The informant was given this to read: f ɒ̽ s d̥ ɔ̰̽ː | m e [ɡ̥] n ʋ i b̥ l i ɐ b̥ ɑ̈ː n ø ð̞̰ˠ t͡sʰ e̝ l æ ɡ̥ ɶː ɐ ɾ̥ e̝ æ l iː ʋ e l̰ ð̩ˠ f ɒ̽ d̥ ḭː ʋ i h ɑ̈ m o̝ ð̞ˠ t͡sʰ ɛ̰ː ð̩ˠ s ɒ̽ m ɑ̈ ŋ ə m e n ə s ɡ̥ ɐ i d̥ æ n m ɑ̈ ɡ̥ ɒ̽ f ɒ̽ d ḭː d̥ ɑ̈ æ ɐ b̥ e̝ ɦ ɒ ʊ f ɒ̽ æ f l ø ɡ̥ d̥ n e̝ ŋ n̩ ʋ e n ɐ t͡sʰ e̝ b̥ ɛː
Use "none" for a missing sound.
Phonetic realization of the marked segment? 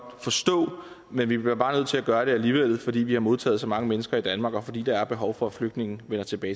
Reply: none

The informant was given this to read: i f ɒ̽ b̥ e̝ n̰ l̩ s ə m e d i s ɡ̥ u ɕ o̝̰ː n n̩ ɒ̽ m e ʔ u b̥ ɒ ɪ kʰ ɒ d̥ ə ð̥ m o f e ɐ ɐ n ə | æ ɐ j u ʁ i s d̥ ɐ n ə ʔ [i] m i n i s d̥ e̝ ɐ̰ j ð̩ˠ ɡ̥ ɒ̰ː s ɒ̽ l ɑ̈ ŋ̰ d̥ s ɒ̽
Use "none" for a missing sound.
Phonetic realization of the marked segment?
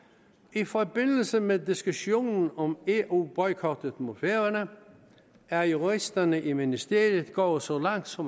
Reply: i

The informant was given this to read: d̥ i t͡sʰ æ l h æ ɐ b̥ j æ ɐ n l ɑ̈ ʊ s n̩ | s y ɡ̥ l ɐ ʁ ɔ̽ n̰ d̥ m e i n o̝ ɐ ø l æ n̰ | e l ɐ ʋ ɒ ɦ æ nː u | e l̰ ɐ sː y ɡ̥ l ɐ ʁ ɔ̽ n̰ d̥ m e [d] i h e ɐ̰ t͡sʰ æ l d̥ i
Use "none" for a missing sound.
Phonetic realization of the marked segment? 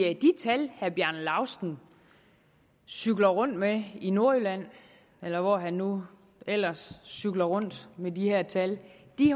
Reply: d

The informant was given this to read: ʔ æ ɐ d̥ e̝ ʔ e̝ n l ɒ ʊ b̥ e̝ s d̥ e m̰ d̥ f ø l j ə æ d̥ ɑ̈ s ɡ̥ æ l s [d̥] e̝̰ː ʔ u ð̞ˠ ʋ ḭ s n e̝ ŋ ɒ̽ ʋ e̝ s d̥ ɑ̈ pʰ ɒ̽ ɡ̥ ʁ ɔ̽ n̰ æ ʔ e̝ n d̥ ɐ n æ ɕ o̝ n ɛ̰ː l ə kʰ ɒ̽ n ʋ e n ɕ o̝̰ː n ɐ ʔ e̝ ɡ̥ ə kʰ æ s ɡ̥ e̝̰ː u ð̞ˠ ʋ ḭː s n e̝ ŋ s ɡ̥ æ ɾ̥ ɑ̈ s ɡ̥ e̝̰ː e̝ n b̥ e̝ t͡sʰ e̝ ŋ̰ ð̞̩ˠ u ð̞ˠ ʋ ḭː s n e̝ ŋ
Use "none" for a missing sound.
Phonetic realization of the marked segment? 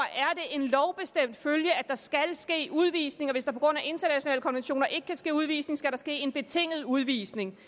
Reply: ɡ̥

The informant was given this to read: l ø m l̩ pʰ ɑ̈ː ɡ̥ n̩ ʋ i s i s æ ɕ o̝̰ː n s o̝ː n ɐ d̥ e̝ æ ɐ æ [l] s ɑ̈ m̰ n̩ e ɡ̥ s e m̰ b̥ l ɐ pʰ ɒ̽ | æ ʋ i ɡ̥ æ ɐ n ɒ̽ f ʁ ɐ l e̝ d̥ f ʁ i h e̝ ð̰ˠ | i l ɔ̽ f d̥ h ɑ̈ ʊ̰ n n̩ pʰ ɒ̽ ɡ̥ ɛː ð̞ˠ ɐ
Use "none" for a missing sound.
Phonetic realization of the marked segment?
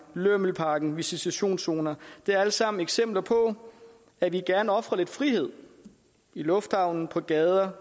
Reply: l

